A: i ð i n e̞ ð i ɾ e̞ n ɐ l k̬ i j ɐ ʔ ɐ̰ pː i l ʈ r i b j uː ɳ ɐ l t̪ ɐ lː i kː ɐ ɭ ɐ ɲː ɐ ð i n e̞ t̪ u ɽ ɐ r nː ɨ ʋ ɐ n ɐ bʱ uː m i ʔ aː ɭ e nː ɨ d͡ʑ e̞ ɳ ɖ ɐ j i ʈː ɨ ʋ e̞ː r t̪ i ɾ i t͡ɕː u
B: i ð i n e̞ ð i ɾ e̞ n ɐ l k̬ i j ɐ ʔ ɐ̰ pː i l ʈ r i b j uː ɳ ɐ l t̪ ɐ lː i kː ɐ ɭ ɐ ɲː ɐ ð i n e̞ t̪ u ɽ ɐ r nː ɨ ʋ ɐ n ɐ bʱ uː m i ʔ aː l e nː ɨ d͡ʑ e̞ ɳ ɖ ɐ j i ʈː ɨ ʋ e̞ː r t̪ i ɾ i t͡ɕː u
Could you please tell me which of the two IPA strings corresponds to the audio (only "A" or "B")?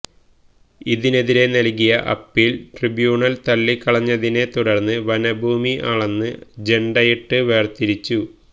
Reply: A